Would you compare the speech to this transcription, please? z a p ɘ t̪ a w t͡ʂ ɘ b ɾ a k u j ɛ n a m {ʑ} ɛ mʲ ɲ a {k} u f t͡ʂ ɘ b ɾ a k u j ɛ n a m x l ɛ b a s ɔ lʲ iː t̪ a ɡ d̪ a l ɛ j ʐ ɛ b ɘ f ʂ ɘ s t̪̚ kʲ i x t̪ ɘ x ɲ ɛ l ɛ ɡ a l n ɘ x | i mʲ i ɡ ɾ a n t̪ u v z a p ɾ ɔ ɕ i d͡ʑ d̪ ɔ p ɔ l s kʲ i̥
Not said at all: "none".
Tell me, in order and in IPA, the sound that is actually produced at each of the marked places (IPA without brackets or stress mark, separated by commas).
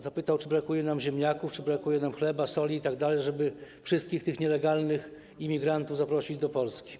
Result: ʑ, k